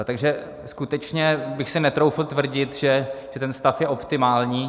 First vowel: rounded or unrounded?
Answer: unrounded